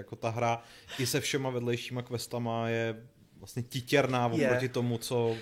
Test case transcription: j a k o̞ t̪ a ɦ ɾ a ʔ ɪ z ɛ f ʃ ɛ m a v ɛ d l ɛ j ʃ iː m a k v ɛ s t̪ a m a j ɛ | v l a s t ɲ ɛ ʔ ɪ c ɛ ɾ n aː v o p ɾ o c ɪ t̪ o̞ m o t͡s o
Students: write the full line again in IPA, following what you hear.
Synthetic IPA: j a k o̞ t̪ a ɦ ɾ a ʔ ɪ s ɛ f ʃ ɛ m a v ɛ d l ɛ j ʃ iː m a k v ɛ s t̪ a m a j ɛ | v l a s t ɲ ɛ c ɪ c ɛ ɾ n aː v o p ɾ o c ɪ t̪ o̞ m u t͡s o